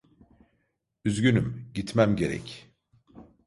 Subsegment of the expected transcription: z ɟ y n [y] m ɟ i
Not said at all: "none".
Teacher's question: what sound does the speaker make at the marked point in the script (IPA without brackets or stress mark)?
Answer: y